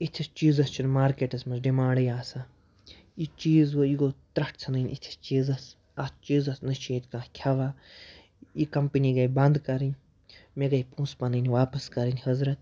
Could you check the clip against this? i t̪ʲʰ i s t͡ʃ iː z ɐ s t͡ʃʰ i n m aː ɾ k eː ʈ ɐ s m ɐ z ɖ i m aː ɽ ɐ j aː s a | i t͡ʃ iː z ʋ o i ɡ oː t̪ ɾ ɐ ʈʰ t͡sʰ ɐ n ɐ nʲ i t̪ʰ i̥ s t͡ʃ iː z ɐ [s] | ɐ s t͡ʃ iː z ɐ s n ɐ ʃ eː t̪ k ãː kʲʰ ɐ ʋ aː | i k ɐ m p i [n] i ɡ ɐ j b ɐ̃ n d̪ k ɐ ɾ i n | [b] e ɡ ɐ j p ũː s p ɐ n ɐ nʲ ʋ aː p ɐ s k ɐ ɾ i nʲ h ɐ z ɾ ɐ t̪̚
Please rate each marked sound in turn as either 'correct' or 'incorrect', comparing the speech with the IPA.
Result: correct, correct, incorrect

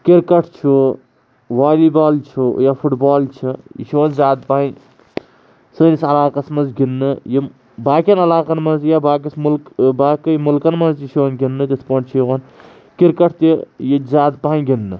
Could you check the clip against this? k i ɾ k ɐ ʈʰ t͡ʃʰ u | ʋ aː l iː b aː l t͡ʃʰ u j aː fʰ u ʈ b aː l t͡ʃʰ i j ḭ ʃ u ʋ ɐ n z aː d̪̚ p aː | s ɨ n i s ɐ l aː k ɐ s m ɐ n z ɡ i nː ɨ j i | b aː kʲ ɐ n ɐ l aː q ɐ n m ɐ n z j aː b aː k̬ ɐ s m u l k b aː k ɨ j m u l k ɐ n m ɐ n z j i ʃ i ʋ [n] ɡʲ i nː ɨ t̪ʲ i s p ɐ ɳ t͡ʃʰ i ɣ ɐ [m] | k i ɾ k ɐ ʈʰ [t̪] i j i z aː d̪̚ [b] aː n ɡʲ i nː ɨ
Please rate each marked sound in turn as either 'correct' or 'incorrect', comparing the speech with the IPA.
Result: correct, incorrect, correct, incorrect

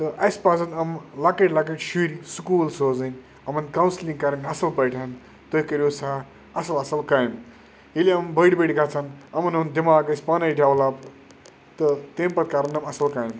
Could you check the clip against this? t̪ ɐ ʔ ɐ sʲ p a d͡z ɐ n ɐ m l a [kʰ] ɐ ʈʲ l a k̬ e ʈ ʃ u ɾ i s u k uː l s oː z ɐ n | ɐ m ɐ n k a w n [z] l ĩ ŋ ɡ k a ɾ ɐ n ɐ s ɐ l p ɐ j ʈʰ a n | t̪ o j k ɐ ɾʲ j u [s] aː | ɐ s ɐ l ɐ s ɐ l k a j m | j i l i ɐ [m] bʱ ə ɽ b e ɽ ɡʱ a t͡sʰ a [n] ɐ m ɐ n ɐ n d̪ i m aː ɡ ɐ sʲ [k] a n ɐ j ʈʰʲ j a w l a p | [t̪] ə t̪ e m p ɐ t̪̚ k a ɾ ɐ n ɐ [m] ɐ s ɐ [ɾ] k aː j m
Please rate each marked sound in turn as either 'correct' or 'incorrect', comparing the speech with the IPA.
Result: incorrect, incorrect, correct, correct, correct, incorrect, correct, correct, incorrect

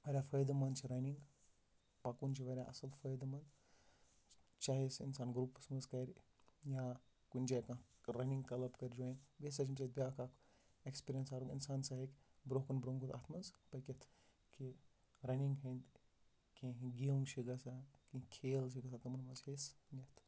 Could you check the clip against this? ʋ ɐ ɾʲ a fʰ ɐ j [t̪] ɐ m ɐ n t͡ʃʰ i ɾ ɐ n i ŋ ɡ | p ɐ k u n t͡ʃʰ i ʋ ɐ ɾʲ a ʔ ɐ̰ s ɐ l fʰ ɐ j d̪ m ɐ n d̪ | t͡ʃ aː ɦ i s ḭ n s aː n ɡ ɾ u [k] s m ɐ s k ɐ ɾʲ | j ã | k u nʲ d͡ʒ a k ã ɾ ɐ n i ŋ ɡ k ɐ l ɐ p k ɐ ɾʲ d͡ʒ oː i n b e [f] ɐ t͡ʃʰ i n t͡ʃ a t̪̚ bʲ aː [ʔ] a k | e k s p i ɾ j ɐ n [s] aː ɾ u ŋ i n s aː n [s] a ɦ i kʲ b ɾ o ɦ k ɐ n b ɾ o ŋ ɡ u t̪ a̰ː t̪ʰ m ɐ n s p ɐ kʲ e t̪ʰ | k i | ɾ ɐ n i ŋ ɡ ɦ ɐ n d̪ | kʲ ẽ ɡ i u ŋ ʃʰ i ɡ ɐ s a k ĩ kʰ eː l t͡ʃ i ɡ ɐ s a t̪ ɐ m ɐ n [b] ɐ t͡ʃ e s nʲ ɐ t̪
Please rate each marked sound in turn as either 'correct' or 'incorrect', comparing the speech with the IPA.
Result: incorrect, incorrect, incorrect, incorrect, correct, correct, incorrect

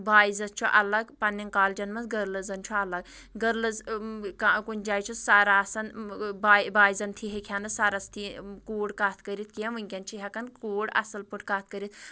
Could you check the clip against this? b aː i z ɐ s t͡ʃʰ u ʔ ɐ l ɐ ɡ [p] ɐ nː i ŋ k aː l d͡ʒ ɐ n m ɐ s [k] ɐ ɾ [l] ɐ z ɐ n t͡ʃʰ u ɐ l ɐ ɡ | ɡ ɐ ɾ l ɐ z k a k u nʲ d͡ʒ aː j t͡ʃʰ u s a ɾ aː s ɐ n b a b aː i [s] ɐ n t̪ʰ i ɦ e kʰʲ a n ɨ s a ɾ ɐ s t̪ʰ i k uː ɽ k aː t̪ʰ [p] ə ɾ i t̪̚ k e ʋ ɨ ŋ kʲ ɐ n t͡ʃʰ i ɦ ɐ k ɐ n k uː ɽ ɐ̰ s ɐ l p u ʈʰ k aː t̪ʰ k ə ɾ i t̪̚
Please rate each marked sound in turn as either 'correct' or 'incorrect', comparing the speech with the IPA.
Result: correct, incorrect, correct, incorrect, incorrect

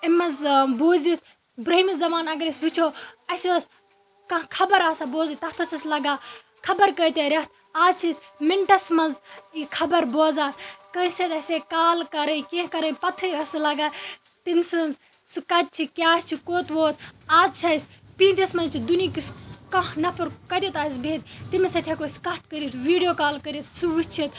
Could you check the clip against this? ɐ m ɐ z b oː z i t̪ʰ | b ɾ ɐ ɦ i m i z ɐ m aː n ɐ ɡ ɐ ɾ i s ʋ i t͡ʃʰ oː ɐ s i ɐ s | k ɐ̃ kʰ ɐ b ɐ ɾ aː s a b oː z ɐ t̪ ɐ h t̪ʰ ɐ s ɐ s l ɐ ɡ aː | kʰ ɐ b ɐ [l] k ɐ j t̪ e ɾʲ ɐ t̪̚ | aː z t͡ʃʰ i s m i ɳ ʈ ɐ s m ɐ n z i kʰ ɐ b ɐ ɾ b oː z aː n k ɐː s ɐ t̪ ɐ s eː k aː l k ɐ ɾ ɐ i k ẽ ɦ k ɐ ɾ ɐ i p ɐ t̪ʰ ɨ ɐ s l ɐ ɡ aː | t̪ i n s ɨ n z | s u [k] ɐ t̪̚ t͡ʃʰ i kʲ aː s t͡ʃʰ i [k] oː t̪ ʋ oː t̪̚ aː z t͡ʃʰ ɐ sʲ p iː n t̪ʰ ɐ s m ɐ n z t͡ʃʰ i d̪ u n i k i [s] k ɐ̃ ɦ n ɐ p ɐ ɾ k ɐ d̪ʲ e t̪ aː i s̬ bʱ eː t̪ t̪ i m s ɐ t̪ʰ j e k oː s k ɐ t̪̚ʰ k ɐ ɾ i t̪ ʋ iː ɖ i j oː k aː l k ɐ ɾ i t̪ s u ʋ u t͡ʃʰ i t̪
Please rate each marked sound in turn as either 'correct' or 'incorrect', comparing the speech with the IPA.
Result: incorrect, correct, correct, correct

